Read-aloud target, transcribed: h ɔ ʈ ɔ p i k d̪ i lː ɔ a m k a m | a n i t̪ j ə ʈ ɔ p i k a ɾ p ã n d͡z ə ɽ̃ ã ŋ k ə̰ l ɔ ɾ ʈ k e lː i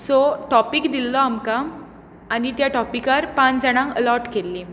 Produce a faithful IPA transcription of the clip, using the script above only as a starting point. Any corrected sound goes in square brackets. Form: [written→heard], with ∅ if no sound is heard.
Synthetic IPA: [h→s] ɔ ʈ ɔ p i k d̪ i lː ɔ a m k a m | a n i t̪ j [ə→a] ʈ ɔ p i k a ɾ p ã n d͡z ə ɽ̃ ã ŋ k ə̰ l ɔ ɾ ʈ k e lː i

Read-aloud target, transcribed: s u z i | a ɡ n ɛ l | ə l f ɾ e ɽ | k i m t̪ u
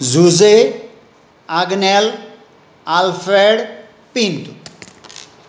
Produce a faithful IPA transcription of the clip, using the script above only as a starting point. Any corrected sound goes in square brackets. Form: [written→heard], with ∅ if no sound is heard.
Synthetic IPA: [s→z] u z [i→e] | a ɡ n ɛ l | [ə→a] l f ɾ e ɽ | [k→p] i [m→n] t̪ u

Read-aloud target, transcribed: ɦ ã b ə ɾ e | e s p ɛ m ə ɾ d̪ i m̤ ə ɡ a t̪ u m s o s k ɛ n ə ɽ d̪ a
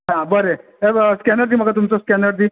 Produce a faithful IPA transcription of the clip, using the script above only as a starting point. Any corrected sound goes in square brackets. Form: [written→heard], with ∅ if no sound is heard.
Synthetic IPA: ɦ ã b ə ɾ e | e s [p→k] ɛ [m→n] ə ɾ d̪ i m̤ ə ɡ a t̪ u m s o s k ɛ n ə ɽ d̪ [a→i]

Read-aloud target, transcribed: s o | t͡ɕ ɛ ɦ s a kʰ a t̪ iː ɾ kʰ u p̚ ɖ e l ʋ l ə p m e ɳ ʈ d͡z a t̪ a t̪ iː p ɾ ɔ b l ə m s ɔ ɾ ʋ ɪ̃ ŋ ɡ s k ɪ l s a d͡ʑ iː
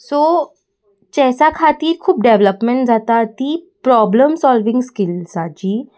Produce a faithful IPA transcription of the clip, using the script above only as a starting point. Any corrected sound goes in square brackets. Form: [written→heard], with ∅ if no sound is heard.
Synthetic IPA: s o | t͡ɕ ɛ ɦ s a kʰ a t̪ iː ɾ kʰ [u→uː] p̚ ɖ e [l→∅] ʋ l ə p m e ɳ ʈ d͡z a t̪ a t̪ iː p ɾ ɔ b l ə m s ɔ [ɾ→l] ʋ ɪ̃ ŋ ɡ s k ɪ l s a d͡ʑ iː

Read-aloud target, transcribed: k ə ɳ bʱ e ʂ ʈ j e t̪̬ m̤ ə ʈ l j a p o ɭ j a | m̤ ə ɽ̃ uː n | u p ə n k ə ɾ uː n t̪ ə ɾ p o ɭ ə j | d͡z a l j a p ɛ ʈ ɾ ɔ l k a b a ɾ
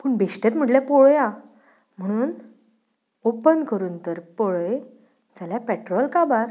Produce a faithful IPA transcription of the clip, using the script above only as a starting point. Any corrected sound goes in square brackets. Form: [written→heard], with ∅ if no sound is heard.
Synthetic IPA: [k→p] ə ɳ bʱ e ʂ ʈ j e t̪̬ m̤ ə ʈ l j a p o ɭ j a | m̤ ə ɽ̃ uː n | [u→o] p ə n k ə ɾ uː n t̪ ə ɾ p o ɭ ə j | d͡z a l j a p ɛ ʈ ɾ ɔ l k a b a ɾ

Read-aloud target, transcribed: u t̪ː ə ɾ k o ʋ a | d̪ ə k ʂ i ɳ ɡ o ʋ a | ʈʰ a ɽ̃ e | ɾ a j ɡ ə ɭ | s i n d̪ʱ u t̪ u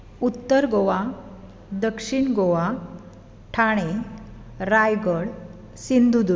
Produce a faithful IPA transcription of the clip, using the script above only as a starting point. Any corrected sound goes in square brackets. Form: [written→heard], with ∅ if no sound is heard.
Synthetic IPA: u t̪ː ə ɾ [k→ɡ] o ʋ a | d̪ ə k ʂ i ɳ ɡ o ʋ a | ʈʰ a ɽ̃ e | ɾ a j ɡ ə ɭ | s i n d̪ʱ u [t̪→d̪] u

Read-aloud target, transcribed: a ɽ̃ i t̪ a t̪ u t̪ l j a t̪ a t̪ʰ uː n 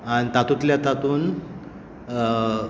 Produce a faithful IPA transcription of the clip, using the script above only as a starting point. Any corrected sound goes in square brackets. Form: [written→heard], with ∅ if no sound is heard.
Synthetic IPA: a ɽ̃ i t̪ a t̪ u t̪ l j a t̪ a [t̪ʰ→t̪] uː n

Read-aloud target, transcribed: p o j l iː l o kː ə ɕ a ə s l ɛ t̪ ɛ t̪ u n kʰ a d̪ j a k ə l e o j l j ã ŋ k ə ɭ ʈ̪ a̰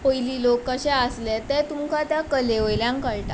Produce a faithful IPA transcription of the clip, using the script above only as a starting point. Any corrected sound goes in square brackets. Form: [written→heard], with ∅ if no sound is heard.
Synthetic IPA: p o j l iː l o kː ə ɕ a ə s l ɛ t̪ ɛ t̪ u [n→m] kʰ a [d̪→t̪] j a k ə l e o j l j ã ŋ k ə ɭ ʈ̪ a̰

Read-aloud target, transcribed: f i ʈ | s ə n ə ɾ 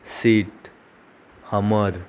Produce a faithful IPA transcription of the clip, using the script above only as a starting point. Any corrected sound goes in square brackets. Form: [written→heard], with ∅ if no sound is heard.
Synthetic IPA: [f→s] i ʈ | [s→h] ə [n→m] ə ɾ

